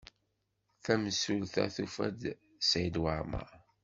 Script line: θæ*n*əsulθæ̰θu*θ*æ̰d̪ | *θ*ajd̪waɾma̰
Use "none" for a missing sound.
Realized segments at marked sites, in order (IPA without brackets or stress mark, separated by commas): m, f, s